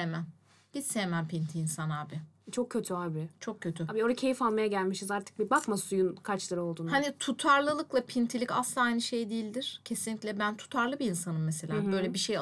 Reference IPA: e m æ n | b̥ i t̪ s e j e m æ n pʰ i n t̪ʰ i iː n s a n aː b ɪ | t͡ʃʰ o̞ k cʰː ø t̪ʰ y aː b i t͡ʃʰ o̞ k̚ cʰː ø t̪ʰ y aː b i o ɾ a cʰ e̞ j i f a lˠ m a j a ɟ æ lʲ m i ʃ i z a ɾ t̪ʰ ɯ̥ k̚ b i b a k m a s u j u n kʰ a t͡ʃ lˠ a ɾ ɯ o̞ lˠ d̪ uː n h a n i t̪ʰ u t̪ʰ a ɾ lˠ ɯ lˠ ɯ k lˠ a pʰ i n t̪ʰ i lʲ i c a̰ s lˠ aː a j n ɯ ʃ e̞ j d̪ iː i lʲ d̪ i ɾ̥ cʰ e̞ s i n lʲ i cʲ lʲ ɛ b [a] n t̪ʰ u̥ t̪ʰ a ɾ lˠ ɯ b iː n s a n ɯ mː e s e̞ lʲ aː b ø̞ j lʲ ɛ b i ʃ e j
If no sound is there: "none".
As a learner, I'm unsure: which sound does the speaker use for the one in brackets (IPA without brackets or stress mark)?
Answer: æ